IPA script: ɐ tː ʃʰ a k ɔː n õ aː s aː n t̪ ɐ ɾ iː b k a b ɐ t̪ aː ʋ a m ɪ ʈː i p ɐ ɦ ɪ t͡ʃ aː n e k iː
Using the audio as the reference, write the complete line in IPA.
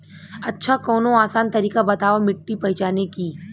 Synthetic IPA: ɐ tː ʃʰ a k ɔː n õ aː s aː n t̪ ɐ ɾ iː k a b ɐ t̪ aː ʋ a m ɪ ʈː i p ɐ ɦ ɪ t͡ʃ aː n e k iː